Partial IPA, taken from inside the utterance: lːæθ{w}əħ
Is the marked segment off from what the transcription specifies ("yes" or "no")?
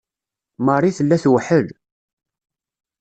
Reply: no